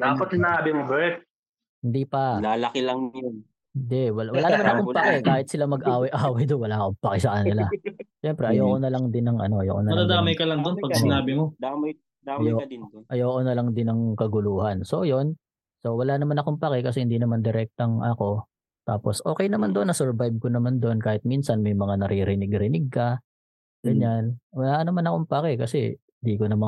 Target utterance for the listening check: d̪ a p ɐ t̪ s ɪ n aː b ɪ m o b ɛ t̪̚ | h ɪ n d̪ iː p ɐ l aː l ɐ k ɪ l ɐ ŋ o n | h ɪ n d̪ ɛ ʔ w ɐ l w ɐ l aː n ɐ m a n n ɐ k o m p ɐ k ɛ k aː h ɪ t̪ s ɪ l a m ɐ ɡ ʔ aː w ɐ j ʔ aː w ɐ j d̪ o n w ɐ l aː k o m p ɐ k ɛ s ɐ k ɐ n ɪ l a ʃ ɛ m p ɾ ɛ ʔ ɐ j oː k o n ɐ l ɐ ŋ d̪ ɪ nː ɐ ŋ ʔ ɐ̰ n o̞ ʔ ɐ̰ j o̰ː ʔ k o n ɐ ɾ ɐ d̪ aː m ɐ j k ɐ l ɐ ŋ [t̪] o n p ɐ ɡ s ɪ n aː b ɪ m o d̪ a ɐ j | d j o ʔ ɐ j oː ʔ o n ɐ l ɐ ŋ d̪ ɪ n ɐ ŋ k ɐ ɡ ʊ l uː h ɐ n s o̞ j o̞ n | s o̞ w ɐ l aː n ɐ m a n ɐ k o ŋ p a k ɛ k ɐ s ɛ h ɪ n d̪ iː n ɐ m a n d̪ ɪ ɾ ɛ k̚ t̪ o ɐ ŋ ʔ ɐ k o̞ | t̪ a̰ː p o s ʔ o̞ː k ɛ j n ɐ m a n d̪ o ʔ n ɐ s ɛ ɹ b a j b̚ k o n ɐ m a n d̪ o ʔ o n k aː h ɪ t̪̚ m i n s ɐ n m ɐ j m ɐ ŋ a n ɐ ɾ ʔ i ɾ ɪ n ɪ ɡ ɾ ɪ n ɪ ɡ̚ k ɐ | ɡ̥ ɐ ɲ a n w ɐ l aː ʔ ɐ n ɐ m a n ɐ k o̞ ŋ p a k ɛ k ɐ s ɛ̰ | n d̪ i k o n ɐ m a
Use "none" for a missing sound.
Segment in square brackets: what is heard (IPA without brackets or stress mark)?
d̪